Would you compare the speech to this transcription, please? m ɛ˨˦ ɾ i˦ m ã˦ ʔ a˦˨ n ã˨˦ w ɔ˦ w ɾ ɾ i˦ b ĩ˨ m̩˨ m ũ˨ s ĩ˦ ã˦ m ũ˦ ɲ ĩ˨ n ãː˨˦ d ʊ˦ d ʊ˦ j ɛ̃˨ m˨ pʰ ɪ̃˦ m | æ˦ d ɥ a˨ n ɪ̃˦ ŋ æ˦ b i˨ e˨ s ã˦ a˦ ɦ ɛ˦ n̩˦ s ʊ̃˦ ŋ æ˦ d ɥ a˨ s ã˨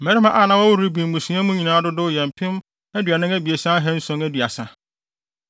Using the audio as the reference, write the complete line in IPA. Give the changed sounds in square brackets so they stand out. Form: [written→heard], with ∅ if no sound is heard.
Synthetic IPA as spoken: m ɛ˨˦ ɾ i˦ m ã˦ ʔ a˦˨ n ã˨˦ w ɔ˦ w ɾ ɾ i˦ b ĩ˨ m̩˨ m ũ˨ s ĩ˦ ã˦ m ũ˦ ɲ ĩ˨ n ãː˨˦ d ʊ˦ d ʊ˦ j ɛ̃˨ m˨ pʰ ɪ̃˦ m | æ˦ d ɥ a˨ n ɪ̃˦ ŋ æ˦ b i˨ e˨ s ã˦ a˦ ɦ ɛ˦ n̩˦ s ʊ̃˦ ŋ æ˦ d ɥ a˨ s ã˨